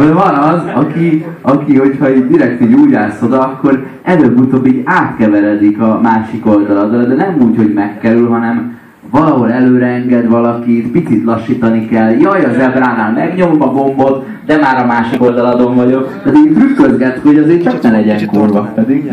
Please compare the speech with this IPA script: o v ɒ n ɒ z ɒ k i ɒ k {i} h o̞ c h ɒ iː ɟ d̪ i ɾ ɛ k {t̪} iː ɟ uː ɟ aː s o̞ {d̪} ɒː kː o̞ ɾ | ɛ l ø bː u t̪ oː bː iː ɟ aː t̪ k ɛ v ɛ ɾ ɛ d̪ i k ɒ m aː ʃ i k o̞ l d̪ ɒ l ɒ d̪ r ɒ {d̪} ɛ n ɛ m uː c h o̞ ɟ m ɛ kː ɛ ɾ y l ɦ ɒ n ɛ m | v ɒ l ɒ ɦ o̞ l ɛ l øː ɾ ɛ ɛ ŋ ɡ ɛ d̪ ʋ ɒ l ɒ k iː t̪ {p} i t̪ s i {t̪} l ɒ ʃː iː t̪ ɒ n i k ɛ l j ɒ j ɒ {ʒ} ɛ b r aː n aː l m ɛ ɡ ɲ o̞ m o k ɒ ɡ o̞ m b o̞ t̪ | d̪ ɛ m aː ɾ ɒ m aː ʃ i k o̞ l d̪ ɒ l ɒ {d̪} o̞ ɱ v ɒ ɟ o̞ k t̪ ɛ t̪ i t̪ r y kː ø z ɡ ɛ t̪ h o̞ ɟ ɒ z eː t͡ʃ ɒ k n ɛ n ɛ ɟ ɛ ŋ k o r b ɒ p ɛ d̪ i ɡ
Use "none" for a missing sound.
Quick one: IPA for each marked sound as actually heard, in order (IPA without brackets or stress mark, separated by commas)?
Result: i, t̪, d̪, d̪, p, t̪, ʒ, d̪